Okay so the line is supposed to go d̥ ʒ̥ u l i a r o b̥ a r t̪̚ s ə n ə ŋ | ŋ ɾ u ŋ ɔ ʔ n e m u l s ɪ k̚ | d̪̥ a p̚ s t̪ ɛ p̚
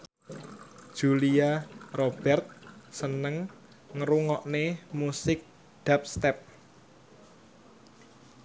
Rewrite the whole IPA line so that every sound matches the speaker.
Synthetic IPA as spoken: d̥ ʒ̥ u l i a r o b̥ ɛ r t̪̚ s ə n ə ŋ | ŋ ɾ u ŋ ɔ ʔ n e m u s ɪ k̚ | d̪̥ a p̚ s t̪ ɛ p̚